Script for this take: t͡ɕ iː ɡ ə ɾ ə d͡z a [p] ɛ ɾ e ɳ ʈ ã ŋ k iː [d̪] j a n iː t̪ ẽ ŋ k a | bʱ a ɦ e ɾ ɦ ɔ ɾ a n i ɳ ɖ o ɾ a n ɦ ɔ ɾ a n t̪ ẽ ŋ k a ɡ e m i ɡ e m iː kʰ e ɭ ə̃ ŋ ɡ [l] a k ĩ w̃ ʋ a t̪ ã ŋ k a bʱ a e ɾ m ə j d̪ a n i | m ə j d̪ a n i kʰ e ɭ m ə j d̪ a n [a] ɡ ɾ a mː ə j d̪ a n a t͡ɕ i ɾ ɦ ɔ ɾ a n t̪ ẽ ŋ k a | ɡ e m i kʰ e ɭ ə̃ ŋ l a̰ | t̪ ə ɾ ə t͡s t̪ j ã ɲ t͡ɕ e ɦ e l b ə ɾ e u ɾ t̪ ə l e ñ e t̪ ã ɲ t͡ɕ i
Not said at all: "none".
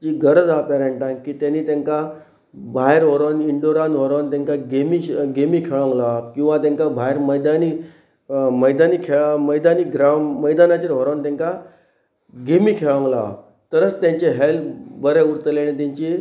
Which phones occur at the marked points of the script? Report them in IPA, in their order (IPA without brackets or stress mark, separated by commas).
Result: p, t̪, l, i